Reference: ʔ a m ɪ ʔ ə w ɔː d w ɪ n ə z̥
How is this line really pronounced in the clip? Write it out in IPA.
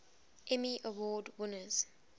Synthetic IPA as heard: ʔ ɛ m i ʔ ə w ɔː d w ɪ n ə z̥